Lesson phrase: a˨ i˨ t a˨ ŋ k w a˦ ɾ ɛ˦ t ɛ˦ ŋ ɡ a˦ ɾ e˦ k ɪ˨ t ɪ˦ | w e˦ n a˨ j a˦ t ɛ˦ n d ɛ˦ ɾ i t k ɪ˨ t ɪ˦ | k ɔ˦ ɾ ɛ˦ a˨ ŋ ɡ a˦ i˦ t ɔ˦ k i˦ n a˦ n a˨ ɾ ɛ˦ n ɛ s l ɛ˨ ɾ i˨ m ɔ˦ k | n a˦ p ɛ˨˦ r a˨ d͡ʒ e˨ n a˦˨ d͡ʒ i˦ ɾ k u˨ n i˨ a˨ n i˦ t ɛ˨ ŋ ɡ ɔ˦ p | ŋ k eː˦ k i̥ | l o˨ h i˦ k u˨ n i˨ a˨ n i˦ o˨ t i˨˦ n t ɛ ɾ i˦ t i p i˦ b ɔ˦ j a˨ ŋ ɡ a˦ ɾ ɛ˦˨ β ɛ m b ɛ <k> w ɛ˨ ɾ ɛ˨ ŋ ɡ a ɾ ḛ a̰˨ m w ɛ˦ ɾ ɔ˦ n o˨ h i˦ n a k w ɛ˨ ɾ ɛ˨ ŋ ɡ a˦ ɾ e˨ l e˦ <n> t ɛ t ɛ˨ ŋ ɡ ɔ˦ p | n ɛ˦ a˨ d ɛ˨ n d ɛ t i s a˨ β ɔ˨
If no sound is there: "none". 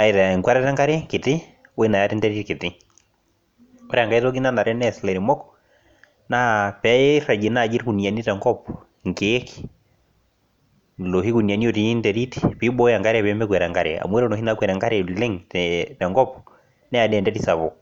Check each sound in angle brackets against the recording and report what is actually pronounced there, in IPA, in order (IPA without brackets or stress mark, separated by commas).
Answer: k, ŋ